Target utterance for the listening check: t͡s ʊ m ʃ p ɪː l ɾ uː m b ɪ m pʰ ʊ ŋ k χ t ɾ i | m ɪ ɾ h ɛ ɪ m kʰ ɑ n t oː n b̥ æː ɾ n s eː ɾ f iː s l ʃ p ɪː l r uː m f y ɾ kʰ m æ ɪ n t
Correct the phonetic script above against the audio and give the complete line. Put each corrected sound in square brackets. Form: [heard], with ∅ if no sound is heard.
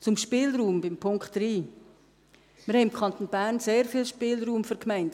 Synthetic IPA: t͡s ʊ m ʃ p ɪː l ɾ uː m b ɪ m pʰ ʊ ŋ k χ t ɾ [iː] | m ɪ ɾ h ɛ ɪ m kʰ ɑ n t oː n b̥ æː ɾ n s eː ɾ f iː [∅] l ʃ p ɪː l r uː m f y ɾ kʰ m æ ɪ n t